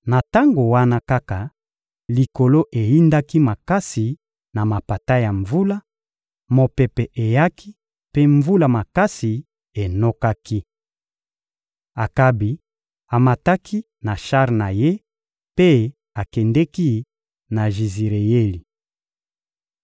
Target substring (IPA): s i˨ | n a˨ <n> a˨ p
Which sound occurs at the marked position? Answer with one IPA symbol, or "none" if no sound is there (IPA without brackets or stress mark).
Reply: m